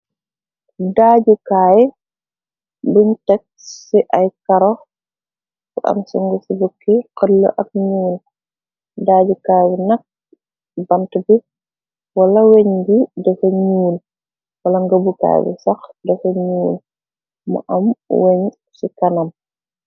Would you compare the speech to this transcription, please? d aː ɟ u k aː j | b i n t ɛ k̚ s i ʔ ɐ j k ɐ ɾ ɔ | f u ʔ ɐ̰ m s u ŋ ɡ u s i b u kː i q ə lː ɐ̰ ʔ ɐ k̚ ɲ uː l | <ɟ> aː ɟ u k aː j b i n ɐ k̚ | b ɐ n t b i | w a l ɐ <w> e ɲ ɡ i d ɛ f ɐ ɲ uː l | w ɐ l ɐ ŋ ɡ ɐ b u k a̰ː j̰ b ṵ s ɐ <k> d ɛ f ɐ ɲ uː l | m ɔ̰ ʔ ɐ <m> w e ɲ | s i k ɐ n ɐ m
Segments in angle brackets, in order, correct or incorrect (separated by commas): incorrect, correct, incorrect, correct